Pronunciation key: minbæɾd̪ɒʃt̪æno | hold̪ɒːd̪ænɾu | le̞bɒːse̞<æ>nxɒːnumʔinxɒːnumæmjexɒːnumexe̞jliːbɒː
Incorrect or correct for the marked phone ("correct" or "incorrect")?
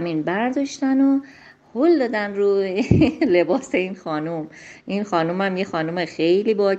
incorrect